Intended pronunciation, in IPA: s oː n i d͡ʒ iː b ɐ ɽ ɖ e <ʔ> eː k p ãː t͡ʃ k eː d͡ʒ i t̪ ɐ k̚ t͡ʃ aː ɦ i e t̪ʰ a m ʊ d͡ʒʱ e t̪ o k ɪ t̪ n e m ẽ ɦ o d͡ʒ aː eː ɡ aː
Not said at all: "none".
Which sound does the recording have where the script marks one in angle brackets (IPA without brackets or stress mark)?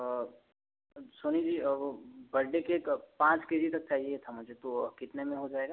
k